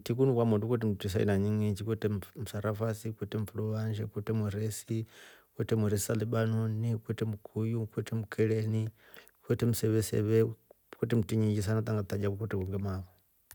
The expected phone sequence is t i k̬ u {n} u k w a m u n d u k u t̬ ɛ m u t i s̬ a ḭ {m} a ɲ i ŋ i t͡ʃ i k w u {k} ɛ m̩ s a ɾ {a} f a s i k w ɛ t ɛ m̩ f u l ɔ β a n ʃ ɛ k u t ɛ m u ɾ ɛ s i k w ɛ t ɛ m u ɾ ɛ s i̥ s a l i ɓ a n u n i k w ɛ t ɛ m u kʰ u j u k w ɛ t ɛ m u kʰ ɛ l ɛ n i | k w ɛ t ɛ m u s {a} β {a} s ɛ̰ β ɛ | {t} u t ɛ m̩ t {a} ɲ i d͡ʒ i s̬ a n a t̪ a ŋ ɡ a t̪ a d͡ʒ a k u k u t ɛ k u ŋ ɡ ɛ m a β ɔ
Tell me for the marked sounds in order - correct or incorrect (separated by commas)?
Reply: correct, incorrect, incorrect, correct, incorrect, incorrect, incorrect, incorrect